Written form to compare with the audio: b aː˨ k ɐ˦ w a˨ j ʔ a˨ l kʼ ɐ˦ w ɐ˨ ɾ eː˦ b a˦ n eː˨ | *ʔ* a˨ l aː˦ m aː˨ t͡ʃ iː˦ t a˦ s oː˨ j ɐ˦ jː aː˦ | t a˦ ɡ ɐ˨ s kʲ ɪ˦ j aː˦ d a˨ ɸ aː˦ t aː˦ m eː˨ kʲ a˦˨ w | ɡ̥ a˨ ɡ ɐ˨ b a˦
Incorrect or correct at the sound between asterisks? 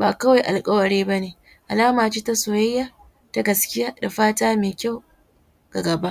correct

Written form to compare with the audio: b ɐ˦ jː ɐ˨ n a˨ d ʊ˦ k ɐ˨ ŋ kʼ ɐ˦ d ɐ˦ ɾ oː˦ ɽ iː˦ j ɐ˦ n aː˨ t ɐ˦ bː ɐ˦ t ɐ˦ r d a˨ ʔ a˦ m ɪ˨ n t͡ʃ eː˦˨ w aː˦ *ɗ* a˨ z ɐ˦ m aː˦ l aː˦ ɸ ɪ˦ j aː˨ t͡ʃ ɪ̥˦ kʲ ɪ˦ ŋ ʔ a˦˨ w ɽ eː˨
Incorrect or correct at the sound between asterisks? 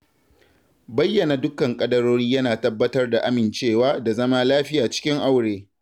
incorrect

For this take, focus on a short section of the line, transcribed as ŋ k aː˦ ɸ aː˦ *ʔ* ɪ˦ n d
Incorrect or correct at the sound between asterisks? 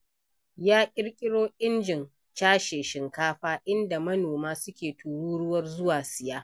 correct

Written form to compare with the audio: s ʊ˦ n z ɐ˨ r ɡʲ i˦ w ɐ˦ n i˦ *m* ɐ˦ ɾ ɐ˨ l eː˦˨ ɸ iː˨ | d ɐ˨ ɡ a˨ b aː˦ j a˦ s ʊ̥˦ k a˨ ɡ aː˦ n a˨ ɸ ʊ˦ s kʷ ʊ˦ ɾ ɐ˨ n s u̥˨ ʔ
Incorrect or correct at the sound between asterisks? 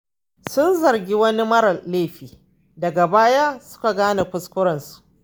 correct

